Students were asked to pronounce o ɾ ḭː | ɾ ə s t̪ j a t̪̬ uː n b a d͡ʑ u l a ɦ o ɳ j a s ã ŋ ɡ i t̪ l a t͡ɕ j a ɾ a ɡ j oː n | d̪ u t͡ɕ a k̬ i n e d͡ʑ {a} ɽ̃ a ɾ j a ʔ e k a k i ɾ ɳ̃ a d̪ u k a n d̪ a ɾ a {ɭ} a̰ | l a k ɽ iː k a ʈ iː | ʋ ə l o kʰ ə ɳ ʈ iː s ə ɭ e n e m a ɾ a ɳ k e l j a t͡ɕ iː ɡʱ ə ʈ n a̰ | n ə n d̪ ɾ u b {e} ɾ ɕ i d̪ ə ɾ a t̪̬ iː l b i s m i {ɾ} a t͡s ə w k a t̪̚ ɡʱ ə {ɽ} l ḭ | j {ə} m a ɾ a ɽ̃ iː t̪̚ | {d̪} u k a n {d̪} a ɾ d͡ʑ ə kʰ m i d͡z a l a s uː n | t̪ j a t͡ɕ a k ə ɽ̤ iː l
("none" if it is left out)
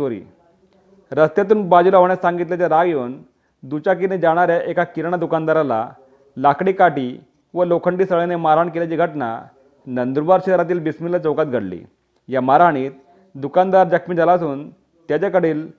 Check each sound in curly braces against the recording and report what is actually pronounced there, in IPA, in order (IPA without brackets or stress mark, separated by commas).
a, l, a, l, ɽ, a, d̪, d̪